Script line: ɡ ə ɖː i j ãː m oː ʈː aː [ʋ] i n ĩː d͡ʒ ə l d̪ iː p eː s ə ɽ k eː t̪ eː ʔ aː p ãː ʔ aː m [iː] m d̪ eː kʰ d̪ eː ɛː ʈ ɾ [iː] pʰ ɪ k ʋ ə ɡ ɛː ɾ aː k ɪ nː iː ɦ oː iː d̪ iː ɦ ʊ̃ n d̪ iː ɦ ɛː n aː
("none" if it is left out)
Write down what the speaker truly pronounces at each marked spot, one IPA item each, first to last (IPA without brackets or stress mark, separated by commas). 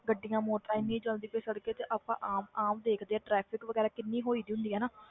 none, aː, ɛː